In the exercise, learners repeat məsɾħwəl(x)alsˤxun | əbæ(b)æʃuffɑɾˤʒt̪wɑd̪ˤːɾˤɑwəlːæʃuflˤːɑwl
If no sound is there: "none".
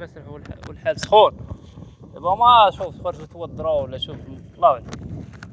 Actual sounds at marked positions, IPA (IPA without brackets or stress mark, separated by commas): ħ, m